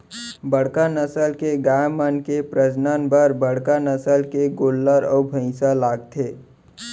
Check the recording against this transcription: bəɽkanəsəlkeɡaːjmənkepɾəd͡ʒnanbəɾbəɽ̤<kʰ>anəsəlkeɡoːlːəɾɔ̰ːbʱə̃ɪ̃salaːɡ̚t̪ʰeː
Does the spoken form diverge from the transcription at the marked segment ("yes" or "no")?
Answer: yes